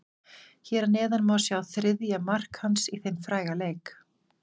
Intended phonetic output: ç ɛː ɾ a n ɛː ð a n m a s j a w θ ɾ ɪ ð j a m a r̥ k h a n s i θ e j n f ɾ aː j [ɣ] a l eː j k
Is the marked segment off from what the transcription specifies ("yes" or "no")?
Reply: no